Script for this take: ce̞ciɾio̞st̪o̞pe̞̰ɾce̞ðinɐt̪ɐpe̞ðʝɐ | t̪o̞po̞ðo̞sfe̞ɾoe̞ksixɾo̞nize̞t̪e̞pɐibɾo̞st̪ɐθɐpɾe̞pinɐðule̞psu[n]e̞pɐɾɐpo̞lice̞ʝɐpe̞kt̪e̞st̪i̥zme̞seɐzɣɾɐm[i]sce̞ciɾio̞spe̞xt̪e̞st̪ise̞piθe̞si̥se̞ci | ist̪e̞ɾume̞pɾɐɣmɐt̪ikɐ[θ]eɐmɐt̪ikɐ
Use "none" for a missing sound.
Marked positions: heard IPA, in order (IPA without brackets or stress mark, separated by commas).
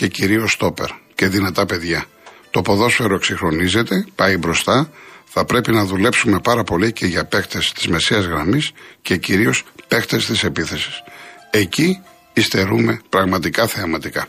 m, i, θ